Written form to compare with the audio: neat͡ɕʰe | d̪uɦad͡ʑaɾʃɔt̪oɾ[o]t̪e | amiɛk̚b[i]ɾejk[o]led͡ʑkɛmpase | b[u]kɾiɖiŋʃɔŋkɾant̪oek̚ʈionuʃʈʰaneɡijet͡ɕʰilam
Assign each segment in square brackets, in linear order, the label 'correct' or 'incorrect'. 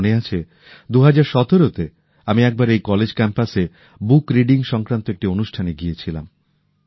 correct, incorrect: a, incorrect: ɔ, correct

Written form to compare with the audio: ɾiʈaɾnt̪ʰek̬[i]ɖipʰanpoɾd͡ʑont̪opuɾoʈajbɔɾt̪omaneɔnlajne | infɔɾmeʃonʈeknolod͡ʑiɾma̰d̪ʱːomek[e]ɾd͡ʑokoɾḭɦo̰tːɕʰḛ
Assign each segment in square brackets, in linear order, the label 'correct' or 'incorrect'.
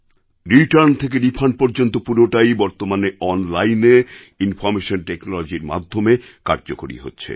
incorrect: e, incorrect: a

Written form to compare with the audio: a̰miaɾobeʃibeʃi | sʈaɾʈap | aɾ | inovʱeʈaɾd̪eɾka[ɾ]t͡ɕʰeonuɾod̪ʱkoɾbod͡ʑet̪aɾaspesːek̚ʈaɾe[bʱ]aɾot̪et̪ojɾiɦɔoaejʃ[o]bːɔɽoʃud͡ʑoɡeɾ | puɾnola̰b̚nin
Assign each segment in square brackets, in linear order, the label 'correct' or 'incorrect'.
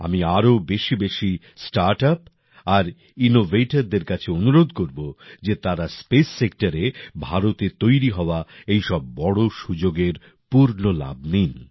incorrect: none, correct, incorrect: ɔ

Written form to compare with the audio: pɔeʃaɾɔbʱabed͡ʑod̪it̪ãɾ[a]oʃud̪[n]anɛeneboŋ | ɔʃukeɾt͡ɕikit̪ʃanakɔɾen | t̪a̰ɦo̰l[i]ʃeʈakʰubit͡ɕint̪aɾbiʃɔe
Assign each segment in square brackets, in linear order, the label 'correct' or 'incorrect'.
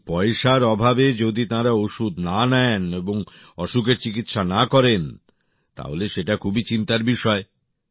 correct, correct, incorrect: e

